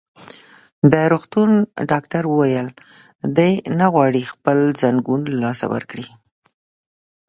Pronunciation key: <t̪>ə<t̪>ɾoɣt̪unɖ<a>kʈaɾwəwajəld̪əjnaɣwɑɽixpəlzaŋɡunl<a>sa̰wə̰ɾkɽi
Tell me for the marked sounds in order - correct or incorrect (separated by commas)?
incorrect, incorrect, incorrect, incorrect